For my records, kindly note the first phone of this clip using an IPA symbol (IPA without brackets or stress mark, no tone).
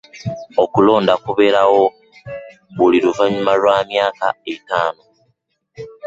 o